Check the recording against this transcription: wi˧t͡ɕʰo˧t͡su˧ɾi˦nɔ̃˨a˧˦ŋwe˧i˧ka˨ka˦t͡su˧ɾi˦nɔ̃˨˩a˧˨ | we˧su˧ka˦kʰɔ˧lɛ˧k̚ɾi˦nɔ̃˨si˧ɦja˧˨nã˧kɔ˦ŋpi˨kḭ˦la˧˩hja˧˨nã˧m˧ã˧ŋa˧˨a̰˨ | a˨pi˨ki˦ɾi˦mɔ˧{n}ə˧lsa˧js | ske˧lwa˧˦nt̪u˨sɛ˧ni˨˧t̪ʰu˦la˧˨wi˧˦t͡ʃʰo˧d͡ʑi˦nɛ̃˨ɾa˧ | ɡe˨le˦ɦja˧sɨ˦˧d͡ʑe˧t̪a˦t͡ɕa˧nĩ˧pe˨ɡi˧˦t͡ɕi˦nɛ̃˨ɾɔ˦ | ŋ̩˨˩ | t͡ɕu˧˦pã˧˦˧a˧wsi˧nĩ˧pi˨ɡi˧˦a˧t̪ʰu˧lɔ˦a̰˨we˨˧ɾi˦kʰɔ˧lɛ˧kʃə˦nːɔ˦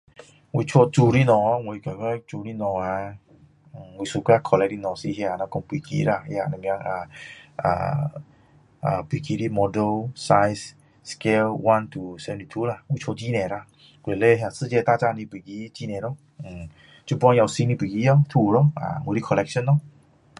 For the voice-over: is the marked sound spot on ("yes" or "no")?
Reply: no